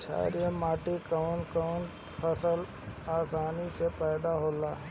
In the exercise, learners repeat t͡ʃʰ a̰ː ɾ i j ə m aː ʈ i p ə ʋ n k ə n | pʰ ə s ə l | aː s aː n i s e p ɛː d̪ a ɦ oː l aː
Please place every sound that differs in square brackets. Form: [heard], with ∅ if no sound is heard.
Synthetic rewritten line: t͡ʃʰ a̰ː ɾ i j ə m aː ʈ i [k] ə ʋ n k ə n | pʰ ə s ə l | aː s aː n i s e p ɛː d̪ a ɦ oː l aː